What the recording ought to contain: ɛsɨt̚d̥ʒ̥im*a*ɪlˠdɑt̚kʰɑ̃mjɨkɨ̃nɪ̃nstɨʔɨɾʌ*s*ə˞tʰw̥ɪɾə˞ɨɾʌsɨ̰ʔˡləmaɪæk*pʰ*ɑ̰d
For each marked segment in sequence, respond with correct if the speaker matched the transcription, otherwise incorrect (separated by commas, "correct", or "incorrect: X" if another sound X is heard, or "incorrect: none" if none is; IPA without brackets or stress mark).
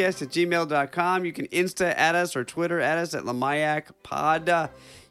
incorrect: e, correct, correct